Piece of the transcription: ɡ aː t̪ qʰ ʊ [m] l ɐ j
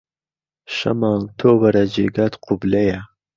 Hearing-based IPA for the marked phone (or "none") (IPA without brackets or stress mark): b